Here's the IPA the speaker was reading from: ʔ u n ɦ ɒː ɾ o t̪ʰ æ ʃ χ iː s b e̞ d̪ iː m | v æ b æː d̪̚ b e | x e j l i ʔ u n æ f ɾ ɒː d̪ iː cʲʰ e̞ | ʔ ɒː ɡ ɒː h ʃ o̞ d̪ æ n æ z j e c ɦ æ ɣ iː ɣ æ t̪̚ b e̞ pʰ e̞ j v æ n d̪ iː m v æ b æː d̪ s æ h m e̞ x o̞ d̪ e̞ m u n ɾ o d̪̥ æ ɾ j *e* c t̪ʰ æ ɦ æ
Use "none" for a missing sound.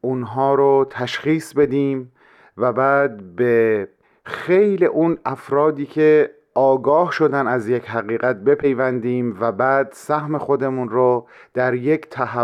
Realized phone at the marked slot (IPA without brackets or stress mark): e